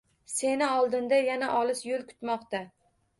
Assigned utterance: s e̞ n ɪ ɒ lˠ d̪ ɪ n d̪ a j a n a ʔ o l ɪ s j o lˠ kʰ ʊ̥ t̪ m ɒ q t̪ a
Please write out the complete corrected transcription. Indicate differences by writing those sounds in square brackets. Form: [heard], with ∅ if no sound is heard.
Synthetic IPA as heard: s e̞ n ɪ ɒ lˠ d̪ ɪ n d̪ a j a n a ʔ [ɒ] l ɪ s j o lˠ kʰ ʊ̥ t̪ m ɒ q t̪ a